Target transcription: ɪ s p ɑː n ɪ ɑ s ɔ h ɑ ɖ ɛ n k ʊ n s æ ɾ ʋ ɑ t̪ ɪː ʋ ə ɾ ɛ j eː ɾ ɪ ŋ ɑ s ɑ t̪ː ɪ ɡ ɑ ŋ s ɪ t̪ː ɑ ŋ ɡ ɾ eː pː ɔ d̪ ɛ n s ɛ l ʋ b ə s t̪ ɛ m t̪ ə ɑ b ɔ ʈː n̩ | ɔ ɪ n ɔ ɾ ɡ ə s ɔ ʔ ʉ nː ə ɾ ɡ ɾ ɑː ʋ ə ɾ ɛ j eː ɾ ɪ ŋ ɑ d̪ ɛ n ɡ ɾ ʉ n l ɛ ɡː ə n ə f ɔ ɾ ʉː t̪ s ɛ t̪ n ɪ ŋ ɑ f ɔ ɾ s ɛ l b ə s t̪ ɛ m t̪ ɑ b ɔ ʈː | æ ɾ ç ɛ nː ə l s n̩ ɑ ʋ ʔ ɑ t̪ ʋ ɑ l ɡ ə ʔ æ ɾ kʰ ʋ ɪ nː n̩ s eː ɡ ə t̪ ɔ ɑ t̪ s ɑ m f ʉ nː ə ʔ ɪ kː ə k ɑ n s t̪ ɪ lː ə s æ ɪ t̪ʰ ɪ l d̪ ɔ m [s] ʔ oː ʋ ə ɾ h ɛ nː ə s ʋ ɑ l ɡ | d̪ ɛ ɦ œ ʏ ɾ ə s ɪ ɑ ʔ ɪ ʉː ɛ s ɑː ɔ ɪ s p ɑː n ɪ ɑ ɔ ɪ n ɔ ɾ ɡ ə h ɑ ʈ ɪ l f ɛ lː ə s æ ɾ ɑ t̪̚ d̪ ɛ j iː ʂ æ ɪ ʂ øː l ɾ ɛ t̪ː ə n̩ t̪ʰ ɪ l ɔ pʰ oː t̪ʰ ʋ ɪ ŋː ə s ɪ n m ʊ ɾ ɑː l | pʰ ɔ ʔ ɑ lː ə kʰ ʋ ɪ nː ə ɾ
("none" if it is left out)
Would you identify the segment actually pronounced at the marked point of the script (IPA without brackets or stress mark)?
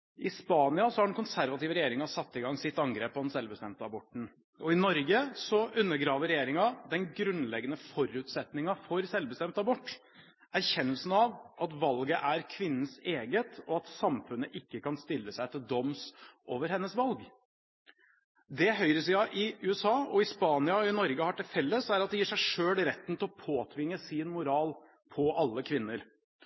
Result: s